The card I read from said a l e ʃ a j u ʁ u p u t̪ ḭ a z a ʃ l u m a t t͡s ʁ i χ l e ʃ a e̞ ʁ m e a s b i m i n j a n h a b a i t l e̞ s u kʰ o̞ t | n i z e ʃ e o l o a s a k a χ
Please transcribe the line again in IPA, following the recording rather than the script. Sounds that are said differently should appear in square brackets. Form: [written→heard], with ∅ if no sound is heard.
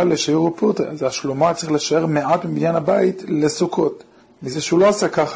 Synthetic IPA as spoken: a l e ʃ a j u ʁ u p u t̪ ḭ a z a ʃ l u m a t t͡s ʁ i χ l e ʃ a e̞ ʁ m e a [s→t] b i m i n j a n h a b a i t l e̞ s u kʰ o̞ t | [n→m] i z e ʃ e [o→u] l o a s a k a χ